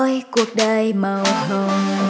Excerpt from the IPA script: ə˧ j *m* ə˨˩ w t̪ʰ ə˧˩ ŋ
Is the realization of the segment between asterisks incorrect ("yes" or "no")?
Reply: no